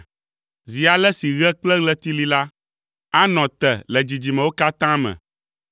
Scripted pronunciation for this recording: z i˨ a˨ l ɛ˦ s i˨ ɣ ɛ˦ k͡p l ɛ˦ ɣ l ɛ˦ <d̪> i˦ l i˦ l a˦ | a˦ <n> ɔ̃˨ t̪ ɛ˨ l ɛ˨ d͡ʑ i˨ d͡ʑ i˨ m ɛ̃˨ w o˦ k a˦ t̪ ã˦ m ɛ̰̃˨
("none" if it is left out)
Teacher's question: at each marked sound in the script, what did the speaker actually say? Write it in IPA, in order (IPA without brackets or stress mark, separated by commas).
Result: t̪, n